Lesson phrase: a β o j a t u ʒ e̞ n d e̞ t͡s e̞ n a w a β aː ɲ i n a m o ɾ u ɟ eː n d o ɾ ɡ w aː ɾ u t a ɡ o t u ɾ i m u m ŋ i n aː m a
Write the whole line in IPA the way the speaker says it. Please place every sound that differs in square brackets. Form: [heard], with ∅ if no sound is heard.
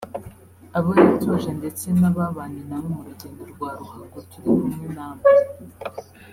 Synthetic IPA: a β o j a t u ʒ e̞ n d e̞ t͡s e̞ n a [β] a β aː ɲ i n a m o ɾ u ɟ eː n d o ɾ ɡ w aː ɾ u [k] a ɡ o t u ɾ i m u m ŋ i n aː m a